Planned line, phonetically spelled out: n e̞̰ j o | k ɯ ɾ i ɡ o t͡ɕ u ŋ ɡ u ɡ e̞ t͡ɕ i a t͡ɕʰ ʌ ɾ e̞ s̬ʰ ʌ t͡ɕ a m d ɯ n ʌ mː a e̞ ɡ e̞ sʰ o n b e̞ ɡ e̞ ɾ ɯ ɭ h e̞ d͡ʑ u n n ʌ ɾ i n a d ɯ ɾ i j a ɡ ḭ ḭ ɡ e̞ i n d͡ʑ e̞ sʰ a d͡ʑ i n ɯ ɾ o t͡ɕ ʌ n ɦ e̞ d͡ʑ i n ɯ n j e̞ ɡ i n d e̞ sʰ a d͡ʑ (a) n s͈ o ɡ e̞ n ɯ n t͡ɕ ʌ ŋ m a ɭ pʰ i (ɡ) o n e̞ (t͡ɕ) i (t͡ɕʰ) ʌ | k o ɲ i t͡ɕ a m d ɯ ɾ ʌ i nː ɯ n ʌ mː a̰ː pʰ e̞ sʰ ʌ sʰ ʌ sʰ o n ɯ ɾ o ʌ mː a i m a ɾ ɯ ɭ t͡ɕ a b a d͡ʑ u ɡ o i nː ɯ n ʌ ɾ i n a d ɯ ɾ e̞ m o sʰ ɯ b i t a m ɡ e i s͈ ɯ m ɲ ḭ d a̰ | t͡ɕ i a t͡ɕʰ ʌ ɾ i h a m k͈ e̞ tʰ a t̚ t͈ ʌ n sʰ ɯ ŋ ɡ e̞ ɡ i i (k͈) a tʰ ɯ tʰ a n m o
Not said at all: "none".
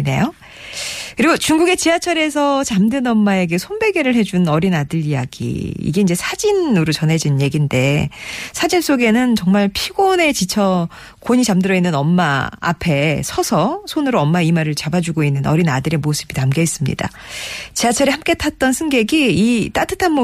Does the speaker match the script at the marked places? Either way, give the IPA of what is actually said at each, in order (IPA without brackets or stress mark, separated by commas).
i, ɡ, t͡ɕ, t͡ɕʰ, t͈